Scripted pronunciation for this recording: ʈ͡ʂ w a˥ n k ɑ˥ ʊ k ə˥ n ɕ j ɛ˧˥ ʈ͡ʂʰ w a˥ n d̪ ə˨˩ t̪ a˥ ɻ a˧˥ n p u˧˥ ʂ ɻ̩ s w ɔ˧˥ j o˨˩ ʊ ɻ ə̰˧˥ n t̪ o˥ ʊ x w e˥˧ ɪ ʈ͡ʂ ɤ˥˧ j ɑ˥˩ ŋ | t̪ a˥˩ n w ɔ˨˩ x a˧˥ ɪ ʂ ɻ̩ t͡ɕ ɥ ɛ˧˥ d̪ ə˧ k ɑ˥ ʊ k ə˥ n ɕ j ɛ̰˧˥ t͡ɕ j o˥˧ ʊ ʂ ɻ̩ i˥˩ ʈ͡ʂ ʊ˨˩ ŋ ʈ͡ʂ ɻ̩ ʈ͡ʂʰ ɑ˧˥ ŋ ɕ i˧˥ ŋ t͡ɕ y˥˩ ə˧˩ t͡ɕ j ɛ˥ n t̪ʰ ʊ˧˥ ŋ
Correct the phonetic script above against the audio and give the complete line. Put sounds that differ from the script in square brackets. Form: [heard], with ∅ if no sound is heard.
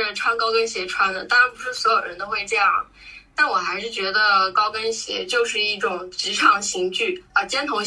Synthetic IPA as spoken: [ʈ͡ʂʰ] w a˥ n k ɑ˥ ʊ k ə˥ n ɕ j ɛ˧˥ ʈ͡ʂʰ w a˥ n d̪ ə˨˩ t̪ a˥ ɻ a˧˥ n p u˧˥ ʂ ɻ̩ s w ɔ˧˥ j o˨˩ ʊ ɻ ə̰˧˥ n t̪ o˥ ʊ x w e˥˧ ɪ ʈ͡ʂ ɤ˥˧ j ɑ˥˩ ŋ | t̪ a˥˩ n w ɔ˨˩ x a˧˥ ɪ ʂ ɻ̩ t͡ɕ ɥ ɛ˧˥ d̪ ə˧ k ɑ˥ ʊ k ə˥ n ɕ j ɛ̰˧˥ t͡ɕ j o˥˧ ʊ ʂ ɻ̩ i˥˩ ʈ͡ʂ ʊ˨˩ ŋ ʈ͡ʂ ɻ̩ ʈ͡ʂʰ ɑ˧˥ ŋ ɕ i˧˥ ŋ t͡ɕ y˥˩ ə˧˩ t͡ɕ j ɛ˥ n t̪ʰ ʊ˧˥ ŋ